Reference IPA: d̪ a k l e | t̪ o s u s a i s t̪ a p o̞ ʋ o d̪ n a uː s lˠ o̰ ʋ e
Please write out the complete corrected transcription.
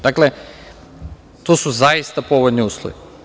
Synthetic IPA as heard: d̪ a k l e | t̪ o s u z a i s t̪ a p o̞ ʋ o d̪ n i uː s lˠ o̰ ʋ i